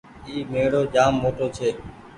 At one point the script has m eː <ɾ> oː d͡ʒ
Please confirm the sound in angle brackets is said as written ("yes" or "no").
no